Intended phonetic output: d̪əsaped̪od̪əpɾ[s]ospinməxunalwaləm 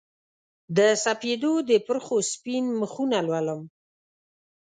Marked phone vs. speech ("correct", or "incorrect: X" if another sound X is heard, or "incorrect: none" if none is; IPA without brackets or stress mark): incorrect: x